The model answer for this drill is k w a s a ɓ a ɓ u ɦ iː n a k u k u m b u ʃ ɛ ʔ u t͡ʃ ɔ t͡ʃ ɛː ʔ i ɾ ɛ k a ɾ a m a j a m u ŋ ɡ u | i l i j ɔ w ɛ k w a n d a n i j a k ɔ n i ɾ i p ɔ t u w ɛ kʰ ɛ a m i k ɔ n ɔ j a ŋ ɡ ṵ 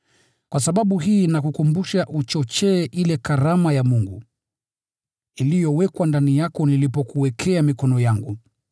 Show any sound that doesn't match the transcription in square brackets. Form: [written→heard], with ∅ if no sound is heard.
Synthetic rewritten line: k w a s a ɓ a ɓ u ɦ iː n a k u k u m b u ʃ [ɛ→a] ʔ u t͡ʃ ɔ t͡ʃ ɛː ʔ i [ɾ→l] ɛ k a ɾ a m a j a m u ŋ ɡ u | i l i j ɔ w ɛ k w a n d a n i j a k ɔ n i [ɾ→l] i p ɔ [t→k] u w ɛ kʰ ɛ a m i k ɔ n ɔ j a ŋ ɡ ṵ